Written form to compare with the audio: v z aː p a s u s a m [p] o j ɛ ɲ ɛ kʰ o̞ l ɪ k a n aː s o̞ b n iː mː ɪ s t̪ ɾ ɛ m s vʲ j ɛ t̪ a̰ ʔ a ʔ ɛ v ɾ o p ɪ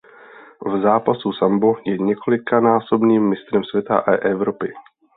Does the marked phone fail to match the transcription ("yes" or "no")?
yes